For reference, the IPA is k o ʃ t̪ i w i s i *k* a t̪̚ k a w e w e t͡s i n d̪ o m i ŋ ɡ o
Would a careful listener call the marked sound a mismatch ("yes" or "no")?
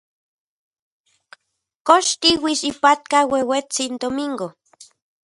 yes